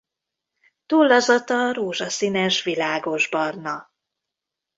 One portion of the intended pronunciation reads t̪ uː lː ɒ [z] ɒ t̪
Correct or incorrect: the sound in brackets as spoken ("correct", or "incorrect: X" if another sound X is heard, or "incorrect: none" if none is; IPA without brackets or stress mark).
correct